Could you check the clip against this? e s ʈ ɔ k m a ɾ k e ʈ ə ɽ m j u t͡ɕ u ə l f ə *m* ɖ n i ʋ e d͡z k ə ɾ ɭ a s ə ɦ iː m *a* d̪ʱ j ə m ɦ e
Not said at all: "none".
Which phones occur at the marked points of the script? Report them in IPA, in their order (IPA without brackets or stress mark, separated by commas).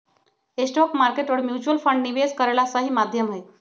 ɳ, a